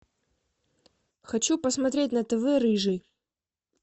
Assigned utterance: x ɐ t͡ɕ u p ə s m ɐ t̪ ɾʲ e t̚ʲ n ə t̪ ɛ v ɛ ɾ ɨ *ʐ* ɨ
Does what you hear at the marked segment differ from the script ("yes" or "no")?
no